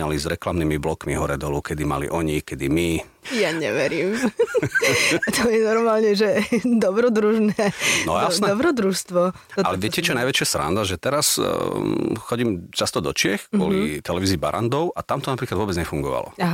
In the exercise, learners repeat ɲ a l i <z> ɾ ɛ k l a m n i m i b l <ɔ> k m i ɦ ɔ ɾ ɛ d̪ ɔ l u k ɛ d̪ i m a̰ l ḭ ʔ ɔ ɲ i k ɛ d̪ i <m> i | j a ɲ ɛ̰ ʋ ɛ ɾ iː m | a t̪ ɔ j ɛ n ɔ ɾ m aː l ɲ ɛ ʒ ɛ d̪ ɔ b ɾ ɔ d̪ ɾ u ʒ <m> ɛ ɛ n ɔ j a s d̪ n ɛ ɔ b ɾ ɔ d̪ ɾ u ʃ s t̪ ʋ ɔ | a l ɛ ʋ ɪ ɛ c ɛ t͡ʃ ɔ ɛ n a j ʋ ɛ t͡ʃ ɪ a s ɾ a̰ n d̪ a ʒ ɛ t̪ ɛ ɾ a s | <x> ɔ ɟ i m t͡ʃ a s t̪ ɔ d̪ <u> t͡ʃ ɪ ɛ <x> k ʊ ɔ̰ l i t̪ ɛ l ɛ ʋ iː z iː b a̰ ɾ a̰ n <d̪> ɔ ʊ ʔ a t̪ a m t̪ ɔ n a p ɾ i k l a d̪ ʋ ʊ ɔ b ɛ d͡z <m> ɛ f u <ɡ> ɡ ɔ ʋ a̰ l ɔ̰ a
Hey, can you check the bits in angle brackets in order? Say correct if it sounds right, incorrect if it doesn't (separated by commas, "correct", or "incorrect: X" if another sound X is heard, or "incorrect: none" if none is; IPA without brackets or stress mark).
correct, correct, correct, incorrect: n, correct, incorrect: ɔ, correct, correct, incorrect: ɲ, incorrect: ŋ